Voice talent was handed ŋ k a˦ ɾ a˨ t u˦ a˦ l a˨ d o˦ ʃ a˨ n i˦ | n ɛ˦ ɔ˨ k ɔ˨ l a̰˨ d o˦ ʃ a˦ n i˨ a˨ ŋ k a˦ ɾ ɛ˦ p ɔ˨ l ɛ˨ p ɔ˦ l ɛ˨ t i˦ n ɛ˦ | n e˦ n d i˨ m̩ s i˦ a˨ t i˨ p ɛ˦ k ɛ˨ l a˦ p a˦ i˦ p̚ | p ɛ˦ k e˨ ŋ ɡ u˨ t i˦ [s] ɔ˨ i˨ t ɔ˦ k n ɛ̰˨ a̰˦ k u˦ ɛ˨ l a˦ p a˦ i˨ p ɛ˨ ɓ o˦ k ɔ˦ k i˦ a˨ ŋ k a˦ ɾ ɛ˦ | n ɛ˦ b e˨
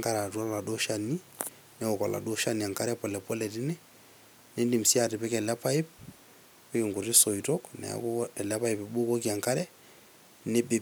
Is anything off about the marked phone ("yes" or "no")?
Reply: no